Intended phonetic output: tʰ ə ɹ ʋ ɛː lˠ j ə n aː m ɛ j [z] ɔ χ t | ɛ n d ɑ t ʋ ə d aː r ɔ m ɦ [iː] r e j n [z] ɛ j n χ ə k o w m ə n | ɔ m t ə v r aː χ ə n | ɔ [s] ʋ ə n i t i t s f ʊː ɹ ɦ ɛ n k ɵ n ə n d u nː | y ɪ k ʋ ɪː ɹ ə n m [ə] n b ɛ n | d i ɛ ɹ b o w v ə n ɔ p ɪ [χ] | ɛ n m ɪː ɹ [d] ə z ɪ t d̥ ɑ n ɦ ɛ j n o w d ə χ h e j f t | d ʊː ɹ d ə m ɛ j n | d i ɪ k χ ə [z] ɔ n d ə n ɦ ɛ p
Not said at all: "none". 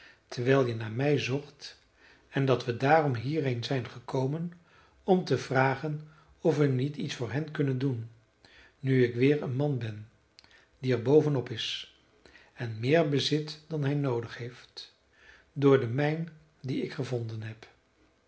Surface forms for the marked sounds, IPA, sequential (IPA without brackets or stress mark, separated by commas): z, iː, z, f, ɑ, s, b, v